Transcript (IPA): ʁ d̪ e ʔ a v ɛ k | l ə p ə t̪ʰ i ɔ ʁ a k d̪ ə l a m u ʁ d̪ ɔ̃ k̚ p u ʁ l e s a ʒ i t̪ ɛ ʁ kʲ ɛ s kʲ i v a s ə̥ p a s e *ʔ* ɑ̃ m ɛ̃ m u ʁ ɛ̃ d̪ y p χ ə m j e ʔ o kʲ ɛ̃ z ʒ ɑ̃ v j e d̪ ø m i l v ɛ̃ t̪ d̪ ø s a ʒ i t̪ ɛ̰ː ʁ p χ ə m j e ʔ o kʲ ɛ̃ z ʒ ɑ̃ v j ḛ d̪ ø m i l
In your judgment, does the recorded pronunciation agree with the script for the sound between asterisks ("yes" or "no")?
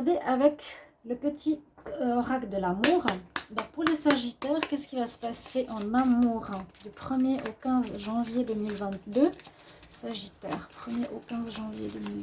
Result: yes